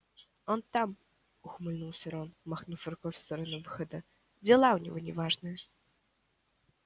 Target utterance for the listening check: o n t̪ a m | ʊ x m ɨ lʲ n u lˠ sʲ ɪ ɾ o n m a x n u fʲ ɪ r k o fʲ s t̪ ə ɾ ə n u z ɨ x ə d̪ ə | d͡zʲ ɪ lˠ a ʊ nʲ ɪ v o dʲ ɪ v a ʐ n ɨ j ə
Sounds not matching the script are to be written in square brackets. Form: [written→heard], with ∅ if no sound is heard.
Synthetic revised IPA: o n t̪ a m | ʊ x m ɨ lʲ n u lˠ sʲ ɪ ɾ o n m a x n u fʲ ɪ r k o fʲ s t̪ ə ɾ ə n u [z→v] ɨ x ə d̪ ə | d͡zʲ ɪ lˠ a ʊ nʲ ɪ v o [dʲ→nʲ] ɪ v a ʐ n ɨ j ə